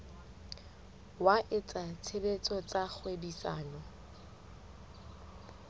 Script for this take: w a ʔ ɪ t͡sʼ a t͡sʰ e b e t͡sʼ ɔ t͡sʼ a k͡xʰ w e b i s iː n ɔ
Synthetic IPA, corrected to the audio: w a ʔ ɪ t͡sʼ a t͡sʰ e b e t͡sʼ ɔ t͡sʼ a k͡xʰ w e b i s aː n ɔ